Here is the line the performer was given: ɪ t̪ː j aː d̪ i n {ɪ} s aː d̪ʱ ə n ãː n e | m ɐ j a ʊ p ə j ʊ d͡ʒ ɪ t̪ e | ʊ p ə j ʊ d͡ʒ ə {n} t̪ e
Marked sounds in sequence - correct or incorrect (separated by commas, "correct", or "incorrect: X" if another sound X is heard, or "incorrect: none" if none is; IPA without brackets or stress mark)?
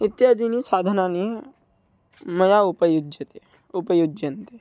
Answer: incorrect: i, correct